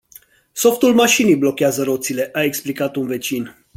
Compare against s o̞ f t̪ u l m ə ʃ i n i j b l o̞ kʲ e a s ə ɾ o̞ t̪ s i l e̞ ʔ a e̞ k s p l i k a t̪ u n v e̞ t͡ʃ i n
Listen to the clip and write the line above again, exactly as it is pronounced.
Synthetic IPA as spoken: s o̞ f t̪ u l m a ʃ i n i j b l o̞ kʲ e a z ə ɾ o̞ t̪ s i l e̞ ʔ a e̞ k s p l i k a t̪ u n v e̞ t͡ʃ i n